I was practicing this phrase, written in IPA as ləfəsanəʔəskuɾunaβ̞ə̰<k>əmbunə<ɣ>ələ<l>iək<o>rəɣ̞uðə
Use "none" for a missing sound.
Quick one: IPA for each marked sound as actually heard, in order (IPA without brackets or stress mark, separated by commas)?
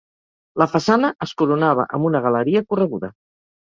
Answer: ʔ, ɣ, ɾ, u